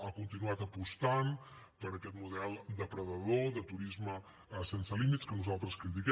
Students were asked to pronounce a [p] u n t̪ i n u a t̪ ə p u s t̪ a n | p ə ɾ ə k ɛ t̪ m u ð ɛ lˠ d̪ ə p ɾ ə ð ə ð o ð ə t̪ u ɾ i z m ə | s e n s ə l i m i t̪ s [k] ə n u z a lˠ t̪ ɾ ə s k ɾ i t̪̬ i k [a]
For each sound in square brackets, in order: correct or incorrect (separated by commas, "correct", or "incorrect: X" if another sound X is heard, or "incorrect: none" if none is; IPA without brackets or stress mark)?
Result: incorrect: k, correct, incorrect: ɛ